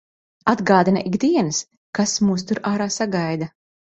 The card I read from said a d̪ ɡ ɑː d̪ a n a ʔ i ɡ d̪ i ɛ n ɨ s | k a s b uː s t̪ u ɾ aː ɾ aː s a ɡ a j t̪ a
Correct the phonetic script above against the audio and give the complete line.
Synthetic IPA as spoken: a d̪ ɡ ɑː d̪ i n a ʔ i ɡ d̪ i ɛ n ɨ s | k a s m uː s t̪ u ɾ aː ɾ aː s a ɡ a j d̪ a